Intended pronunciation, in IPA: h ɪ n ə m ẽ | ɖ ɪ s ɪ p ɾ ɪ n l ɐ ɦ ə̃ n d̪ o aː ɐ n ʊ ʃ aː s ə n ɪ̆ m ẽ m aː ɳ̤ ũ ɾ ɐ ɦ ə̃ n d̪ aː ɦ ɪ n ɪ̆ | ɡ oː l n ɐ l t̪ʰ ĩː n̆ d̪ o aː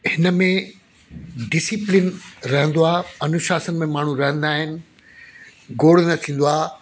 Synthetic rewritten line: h ɪ n ə m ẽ | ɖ ɪ s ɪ p l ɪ n ɾ ɐ ɦ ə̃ n d̪ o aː ɐ n ʊ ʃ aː s ə n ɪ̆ m ẽ m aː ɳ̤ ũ ɾ ɐ ɦ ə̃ n d̪ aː ɦ ɪ n ɪ̆ | ɡ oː ɽ n ɐ t̪ʰ ĩː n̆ d̪ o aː

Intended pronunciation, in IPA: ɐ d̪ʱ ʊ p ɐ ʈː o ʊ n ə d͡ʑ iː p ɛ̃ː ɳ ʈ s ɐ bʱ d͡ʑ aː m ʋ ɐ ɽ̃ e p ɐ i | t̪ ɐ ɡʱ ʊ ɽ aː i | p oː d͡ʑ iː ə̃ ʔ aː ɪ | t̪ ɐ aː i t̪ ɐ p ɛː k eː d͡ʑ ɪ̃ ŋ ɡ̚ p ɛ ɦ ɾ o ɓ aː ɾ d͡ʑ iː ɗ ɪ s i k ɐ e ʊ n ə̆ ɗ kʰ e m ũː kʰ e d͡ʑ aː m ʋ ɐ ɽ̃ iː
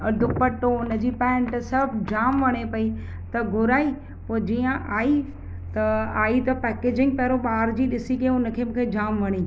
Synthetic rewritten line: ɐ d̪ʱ ʊ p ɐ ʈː o ʊ n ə d͡ʑ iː p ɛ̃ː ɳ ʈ s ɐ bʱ d͡ʑ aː m ʋ ɐ ɽ̃ e p ɐ i | t̪ ɐ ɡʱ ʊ ɾ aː i | p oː d͡ʑ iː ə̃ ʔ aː i | t̪ ɐ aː i t̪ ɐ p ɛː k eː d͡ʑ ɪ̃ ŋ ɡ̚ p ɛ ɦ ɾ o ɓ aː ɾ d͡ʑ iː ɗ ɪ s i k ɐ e ʊ n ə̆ kʰ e m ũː kʰ e d͡ʑ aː m ʋ ɐ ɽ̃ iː

